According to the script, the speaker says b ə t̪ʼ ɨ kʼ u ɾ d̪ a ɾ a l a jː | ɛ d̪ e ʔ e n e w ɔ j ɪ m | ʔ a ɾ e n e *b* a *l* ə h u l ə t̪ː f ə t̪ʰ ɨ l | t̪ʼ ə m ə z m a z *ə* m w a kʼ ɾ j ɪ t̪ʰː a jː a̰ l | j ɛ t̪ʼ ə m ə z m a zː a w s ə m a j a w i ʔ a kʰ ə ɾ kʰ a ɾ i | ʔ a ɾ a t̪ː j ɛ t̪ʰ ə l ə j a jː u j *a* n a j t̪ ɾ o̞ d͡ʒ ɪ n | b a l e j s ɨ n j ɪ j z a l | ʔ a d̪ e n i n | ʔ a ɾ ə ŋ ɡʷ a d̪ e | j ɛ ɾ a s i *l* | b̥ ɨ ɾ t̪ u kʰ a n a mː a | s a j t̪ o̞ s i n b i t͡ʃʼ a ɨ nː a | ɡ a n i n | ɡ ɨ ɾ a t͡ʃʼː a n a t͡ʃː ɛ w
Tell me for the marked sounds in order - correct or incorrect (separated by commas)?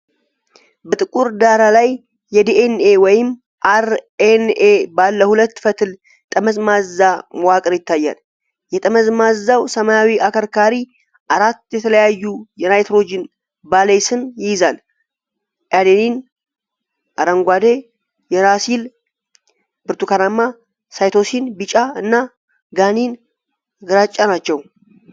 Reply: correct, incorrect, incorrect, incorrect, correct